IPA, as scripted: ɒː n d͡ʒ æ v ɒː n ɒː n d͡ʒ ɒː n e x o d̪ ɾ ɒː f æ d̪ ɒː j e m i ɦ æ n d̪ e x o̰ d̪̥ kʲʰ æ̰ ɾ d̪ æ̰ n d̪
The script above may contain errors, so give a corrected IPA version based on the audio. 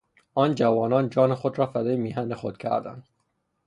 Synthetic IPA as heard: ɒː n d͡ʒ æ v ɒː n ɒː n d͡ʒ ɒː n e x o d̪ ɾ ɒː f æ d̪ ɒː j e m i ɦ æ n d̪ e x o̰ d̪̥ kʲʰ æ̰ ɾ d̪ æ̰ n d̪